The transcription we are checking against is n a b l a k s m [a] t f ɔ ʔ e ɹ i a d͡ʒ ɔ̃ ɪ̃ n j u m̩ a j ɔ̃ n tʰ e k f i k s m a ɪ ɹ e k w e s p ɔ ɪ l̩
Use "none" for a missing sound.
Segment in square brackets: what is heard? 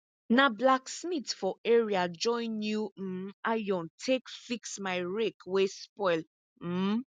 i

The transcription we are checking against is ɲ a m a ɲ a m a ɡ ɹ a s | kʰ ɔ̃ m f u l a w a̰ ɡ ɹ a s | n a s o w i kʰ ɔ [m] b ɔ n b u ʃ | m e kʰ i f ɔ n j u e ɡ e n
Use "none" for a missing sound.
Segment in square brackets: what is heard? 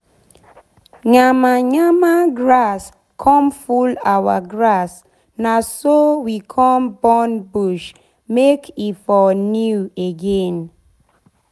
m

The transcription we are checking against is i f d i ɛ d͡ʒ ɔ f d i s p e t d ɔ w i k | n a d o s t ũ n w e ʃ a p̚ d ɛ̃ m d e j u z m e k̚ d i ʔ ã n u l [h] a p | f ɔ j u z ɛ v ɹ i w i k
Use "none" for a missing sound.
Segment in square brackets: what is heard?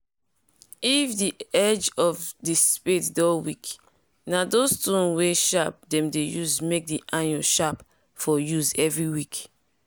ʃ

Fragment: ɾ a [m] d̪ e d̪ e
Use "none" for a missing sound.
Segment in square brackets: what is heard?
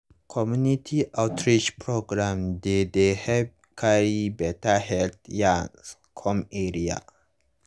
m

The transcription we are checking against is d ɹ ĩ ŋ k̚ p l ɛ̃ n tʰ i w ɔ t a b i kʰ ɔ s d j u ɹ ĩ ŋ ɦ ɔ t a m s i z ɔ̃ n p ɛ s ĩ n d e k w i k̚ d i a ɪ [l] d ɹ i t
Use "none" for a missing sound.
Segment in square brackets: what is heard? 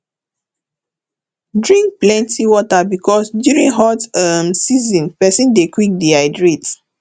none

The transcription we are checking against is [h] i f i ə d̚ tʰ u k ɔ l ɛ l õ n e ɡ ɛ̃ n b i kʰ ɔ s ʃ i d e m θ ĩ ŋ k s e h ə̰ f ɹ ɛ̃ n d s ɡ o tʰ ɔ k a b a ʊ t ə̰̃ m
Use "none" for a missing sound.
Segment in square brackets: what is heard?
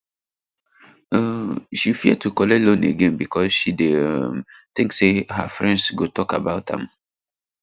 ʃ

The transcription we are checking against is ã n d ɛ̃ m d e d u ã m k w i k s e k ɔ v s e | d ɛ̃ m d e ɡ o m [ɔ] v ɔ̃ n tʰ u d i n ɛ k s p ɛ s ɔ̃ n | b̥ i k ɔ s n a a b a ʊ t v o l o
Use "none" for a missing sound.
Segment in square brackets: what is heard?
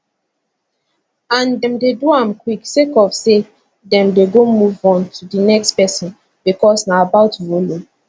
u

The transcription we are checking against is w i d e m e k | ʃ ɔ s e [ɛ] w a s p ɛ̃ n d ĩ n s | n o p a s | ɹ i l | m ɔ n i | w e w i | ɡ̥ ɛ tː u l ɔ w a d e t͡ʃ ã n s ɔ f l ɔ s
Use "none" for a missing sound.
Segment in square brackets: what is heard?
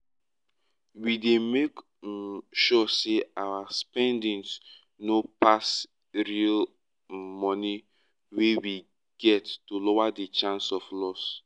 a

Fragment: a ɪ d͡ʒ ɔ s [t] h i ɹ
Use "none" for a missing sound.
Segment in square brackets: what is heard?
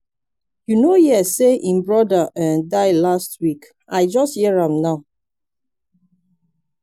t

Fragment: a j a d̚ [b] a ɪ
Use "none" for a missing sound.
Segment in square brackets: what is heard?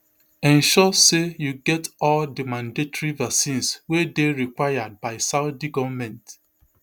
b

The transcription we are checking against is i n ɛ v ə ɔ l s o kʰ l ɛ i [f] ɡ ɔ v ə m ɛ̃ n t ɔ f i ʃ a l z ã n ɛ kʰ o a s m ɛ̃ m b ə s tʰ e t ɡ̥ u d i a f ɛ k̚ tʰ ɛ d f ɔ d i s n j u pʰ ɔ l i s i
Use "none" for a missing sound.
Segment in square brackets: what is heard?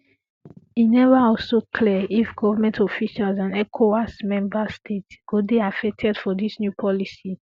f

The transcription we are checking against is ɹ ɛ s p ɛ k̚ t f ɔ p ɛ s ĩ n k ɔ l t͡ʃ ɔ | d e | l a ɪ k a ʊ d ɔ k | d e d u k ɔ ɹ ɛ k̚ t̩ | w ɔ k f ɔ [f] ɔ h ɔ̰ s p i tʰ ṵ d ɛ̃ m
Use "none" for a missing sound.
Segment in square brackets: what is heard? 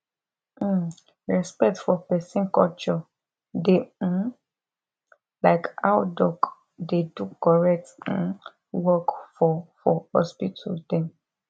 f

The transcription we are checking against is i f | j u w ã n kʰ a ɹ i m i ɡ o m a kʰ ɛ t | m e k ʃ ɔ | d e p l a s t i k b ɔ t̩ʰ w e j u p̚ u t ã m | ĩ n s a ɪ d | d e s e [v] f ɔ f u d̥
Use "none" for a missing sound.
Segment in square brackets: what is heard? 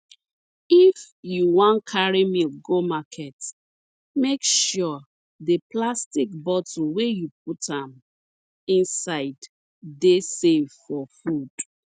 v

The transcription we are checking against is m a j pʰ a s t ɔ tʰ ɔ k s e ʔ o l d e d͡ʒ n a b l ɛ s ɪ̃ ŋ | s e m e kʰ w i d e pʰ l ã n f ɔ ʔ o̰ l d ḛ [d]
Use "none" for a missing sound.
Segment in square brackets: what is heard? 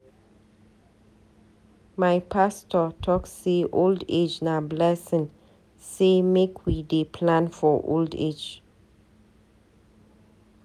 d͡ʒ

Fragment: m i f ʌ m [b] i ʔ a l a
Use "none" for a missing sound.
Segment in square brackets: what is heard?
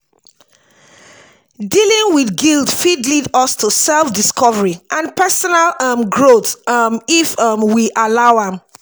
w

